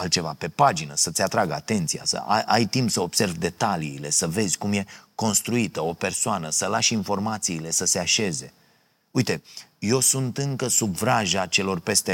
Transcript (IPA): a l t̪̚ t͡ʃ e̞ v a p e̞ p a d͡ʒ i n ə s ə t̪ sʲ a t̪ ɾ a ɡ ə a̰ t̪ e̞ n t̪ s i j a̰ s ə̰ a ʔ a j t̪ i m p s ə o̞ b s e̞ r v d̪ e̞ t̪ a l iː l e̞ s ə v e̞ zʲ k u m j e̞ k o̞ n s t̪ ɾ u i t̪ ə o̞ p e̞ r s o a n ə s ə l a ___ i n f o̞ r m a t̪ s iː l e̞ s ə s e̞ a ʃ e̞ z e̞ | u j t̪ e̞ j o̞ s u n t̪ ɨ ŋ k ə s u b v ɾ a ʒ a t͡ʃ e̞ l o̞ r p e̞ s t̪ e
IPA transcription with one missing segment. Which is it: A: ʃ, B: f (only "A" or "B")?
A